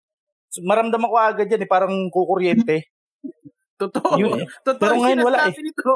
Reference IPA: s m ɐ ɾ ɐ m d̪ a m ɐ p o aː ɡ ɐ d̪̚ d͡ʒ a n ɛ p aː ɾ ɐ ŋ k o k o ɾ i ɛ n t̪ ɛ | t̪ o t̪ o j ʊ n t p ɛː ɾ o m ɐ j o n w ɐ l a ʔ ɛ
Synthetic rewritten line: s m ɐ ɾ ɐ m d̪ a m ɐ k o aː ɡ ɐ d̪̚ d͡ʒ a n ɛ p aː ɾ ɐ ŋ k o k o ɾ j ɛ n t̪ ɛ | t̪ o t̪ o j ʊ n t p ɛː ɾ o ŋ ɐ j o n w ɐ l a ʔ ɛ